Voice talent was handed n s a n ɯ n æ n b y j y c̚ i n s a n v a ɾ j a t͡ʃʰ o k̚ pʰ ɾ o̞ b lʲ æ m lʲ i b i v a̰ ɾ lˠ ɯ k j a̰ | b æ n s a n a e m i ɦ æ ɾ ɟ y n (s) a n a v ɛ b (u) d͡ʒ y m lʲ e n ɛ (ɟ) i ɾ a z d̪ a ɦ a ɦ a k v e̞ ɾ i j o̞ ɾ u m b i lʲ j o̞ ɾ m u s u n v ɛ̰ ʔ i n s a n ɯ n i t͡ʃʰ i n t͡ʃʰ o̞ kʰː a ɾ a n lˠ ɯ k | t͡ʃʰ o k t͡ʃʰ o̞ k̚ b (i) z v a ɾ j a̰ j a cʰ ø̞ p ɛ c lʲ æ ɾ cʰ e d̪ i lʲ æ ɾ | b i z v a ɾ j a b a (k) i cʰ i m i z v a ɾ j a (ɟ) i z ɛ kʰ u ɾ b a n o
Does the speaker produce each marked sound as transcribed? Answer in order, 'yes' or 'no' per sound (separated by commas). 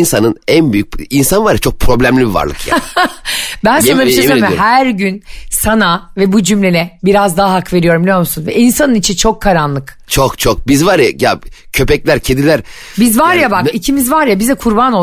yes, yes, no, yes, yes, no